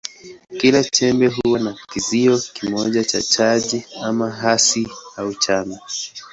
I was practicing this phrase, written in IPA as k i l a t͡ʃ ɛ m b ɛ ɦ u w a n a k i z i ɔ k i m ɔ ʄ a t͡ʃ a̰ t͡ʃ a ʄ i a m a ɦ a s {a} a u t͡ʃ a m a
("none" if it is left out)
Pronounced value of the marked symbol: i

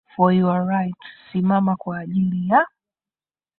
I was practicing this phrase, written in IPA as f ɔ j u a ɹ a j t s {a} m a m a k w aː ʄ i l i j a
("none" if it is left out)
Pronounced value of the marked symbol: i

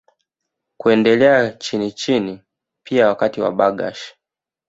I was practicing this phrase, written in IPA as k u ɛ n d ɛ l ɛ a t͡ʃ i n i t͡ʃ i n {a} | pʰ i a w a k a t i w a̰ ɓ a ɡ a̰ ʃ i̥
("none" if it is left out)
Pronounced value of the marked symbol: i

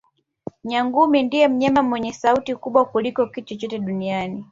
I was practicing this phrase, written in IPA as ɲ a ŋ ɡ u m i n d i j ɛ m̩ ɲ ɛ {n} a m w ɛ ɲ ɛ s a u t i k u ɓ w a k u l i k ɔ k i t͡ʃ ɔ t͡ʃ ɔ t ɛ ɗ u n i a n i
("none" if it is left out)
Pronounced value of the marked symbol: m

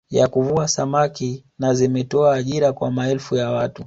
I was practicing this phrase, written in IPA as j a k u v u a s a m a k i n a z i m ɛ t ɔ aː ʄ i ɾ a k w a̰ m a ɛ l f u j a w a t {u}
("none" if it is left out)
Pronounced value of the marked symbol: u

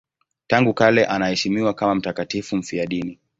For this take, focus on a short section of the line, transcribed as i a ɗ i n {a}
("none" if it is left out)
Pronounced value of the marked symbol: i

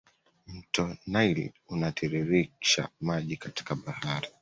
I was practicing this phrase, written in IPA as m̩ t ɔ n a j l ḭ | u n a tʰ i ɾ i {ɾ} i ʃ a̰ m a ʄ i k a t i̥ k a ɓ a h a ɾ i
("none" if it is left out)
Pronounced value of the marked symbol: ɾ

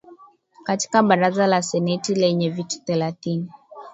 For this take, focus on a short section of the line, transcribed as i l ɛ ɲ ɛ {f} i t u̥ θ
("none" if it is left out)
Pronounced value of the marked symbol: v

